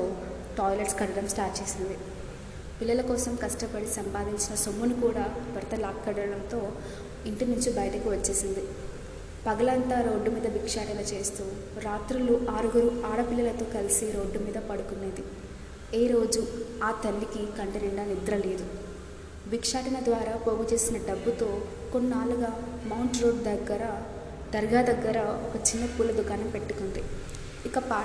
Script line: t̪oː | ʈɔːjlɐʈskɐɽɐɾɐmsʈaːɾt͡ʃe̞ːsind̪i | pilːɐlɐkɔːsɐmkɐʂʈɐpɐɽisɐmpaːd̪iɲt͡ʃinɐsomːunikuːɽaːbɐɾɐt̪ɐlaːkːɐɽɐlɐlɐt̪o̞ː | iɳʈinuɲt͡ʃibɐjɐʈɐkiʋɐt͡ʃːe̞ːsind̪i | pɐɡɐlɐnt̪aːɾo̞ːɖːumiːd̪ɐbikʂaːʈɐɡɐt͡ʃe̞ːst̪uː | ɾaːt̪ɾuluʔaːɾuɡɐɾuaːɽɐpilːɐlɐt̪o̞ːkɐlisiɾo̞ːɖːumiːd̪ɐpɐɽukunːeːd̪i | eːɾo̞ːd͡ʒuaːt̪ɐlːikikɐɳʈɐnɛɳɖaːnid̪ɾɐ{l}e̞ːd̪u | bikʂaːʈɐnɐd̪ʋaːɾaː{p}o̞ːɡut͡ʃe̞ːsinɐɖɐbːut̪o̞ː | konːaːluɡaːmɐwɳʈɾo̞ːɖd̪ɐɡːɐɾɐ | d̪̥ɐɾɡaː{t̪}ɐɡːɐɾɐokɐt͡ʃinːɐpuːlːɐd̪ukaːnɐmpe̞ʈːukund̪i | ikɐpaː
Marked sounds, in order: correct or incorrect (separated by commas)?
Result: correct, correct, incorrect